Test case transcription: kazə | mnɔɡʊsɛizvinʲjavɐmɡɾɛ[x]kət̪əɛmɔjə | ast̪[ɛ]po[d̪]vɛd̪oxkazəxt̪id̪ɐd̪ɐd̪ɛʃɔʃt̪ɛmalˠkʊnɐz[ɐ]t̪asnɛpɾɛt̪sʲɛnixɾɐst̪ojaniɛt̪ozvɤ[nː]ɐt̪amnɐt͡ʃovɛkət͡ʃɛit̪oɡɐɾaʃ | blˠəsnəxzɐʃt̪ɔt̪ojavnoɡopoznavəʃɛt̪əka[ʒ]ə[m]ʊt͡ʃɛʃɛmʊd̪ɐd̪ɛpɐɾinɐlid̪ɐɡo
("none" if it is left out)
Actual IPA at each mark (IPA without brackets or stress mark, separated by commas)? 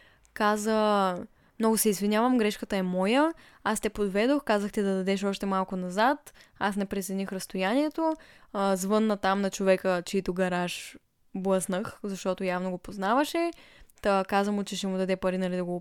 ʃ, ɛ, d̪, a, nː, z, m